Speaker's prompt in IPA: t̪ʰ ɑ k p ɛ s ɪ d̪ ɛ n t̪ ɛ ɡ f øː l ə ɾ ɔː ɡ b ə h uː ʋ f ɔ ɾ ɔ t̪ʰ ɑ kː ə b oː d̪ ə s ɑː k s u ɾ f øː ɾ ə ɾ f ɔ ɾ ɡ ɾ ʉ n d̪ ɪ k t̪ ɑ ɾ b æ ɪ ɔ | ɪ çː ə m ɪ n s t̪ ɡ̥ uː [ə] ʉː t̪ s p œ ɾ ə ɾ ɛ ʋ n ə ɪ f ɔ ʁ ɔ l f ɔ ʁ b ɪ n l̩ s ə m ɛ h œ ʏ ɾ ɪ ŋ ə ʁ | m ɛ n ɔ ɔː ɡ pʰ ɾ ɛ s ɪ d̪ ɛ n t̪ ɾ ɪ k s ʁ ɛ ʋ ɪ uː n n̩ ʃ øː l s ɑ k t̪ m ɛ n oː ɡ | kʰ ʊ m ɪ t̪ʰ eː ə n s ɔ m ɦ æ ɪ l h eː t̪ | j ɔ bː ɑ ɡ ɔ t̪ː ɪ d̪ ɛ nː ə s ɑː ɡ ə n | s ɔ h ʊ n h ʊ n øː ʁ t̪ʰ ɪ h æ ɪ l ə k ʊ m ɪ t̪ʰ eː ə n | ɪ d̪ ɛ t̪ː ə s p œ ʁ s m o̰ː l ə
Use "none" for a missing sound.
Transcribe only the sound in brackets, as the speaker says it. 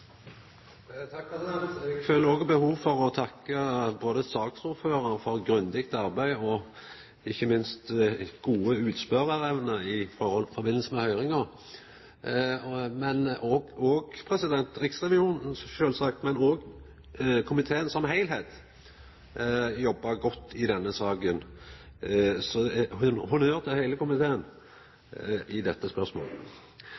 ə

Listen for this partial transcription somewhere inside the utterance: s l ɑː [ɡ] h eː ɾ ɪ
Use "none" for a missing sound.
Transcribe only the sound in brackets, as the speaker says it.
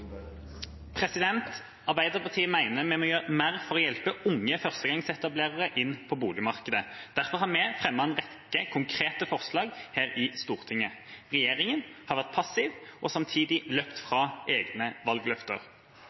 ɡ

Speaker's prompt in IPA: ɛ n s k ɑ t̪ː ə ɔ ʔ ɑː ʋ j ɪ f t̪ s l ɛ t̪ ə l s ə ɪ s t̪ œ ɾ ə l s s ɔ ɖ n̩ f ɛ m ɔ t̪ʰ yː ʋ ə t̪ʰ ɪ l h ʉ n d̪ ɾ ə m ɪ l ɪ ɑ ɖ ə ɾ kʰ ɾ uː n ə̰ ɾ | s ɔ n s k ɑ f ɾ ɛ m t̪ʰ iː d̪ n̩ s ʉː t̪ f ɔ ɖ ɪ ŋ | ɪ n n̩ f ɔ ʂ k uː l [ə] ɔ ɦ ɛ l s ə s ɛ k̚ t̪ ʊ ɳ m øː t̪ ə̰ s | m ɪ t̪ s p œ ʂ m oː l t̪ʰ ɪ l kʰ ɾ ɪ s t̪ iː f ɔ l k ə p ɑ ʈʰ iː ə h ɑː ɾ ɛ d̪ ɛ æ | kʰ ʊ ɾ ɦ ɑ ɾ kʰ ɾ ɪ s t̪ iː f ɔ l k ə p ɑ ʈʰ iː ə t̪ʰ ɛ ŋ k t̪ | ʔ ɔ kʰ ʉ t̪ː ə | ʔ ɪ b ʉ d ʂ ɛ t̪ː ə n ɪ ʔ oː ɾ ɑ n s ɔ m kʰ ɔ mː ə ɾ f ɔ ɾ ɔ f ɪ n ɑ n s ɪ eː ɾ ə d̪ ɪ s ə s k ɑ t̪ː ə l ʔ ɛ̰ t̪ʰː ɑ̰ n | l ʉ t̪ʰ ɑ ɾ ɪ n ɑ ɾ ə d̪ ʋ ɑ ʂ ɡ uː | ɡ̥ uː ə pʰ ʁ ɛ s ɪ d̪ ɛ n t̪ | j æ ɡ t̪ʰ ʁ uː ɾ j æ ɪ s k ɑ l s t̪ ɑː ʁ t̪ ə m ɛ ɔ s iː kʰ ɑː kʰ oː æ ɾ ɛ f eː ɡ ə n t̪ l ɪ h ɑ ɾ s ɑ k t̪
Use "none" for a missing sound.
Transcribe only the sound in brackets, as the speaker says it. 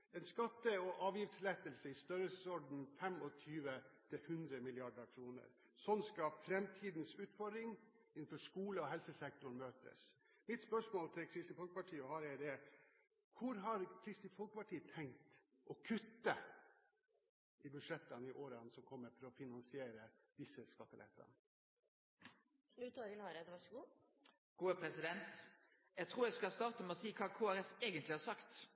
ə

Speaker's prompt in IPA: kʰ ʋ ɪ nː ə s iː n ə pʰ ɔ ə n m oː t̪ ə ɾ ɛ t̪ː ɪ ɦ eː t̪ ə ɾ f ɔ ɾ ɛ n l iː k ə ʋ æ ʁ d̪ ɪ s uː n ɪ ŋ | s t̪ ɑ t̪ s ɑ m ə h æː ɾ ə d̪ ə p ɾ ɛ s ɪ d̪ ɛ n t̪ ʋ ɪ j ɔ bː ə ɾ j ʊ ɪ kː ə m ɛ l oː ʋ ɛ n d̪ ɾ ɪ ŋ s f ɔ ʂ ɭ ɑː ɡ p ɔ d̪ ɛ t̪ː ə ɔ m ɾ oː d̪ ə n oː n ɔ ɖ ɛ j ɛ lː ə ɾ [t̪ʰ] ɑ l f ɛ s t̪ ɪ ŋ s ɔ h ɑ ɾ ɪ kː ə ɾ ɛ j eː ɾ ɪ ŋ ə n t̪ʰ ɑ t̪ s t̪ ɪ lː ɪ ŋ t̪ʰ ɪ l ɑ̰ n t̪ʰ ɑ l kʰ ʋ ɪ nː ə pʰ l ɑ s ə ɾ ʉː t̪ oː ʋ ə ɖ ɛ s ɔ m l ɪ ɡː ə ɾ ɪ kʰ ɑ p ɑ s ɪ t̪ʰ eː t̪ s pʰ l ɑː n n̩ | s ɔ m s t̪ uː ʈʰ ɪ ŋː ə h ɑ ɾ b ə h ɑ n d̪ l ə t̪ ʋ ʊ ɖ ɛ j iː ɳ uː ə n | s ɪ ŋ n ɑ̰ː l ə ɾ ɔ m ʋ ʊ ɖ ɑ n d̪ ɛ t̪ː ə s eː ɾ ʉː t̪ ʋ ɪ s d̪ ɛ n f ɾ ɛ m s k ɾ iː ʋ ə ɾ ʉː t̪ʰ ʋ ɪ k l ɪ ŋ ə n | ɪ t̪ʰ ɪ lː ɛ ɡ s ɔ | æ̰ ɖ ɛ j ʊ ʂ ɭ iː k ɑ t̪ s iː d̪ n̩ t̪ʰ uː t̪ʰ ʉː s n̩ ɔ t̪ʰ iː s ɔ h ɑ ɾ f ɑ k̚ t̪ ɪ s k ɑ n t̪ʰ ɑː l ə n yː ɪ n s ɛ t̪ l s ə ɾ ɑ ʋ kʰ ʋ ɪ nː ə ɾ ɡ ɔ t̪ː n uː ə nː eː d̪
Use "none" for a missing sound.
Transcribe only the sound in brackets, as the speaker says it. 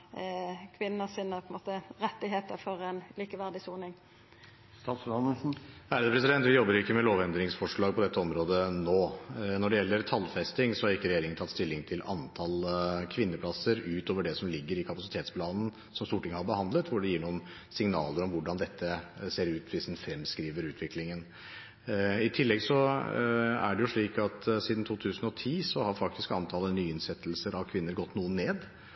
t̪ʰ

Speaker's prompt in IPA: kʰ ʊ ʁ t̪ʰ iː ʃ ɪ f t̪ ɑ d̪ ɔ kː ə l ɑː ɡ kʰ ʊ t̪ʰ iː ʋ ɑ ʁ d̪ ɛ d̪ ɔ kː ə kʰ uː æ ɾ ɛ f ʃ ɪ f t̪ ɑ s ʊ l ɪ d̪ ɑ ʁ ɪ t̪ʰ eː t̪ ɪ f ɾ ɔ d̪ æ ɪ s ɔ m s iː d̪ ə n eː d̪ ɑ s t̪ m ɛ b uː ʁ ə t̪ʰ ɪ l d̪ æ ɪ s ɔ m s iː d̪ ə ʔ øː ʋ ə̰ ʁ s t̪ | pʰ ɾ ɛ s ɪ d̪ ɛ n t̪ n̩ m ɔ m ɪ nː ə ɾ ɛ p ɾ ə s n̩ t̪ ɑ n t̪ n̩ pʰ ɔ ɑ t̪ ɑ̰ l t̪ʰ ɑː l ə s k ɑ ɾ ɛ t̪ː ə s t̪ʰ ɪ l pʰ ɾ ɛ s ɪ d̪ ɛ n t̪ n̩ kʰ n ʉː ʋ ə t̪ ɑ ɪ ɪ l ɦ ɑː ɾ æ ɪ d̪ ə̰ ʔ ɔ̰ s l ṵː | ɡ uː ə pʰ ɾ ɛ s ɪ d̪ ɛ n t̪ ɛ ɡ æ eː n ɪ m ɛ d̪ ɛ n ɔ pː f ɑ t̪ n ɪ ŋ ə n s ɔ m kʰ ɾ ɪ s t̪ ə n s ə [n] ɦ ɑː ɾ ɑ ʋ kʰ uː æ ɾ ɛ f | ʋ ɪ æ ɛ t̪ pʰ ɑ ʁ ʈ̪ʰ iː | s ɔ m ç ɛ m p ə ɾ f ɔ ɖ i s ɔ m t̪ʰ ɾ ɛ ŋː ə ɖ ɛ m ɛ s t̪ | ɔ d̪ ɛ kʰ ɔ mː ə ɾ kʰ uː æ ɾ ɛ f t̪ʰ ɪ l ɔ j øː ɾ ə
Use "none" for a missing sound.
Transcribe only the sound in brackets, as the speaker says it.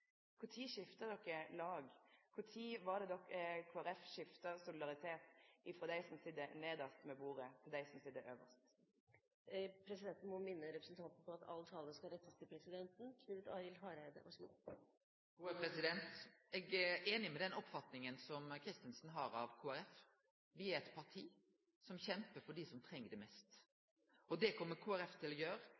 n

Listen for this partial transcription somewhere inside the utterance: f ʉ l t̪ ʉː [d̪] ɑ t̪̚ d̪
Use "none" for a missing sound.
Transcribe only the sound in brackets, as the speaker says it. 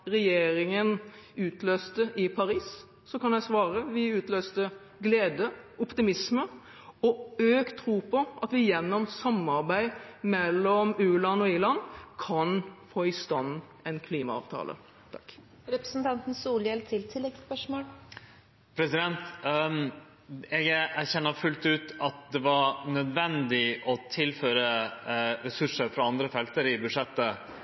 t̪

